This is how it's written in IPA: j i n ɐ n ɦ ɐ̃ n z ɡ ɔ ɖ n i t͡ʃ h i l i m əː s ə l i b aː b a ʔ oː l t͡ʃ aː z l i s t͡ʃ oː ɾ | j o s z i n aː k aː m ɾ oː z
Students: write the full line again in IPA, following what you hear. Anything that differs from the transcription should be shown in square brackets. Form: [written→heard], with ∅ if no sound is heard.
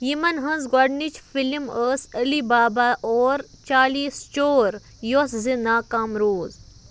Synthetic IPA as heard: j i [n→m] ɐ n ɦ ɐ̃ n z ɡ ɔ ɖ n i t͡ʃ [h→f] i l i m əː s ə l i b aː b a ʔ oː [l→ɾ] t͡ʃ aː [z→∅] l i s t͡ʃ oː ɾ | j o s z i n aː k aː m ɾ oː z

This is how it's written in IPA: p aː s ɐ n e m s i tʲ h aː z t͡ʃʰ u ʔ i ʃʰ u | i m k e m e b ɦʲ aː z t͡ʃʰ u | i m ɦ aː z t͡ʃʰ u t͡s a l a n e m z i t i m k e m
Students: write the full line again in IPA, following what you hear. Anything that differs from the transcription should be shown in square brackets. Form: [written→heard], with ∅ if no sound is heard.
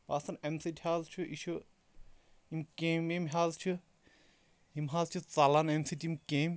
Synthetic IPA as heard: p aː s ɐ n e m s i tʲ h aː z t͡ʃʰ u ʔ i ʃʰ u | i m k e m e [b→m] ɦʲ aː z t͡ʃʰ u | i m ɦ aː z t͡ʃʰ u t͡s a l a n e m [z→s] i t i m k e m

